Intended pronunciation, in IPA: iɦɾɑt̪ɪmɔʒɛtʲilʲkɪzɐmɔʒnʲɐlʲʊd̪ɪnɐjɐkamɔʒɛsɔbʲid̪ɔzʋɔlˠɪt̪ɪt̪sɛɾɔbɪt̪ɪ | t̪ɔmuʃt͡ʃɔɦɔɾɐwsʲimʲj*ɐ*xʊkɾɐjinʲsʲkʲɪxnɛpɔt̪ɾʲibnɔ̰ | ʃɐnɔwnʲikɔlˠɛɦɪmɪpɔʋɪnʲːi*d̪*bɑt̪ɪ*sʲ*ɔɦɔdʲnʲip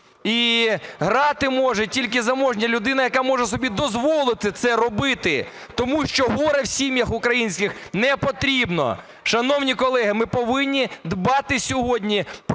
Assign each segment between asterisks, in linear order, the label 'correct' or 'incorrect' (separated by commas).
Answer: correct, correct, correct